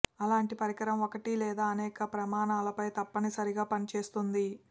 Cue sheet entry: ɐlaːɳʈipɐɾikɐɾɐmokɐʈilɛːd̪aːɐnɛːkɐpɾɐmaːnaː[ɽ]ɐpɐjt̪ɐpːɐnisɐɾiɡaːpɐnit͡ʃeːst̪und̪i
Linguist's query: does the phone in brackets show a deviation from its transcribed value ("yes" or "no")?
yes